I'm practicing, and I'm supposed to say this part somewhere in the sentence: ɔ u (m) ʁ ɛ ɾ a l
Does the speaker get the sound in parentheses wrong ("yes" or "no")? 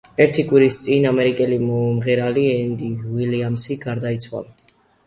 no